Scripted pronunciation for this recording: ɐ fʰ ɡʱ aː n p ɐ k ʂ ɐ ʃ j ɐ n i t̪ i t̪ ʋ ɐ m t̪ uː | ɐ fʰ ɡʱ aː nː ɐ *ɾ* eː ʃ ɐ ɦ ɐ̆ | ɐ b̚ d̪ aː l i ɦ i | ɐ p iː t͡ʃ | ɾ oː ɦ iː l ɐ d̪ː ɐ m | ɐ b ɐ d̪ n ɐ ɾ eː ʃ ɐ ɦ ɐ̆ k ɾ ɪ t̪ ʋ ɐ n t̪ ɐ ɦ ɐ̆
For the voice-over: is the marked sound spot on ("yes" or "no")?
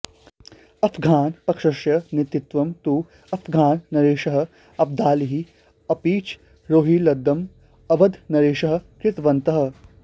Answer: yes